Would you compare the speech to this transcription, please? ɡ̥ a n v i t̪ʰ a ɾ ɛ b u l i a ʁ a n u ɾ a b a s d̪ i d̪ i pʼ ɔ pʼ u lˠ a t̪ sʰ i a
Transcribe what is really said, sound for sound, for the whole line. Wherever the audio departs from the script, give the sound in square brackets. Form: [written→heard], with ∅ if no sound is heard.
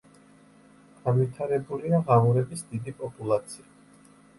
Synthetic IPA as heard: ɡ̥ a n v i t̪ʰ a ɾ ɛ b u l i a ʁ a [n→m] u ɾ [a→ɛ] b [a→i] s d̪ i d̪ i pʼ ɔ pʼ u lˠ a t̪ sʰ i a